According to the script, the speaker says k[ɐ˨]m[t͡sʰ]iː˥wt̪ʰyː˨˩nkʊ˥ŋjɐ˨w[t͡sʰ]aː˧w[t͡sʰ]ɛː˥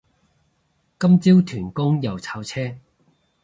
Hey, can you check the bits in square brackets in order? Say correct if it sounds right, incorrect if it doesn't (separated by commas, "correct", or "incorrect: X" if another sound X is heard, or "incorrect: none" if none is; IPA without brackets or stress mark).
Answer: incorrect: ɐ˥, incorrect: t͡s, correct, correct